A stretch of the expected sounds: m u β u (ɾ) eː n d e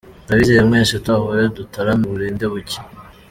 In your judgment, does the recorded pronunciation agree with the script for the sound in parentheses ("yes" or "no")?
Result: yes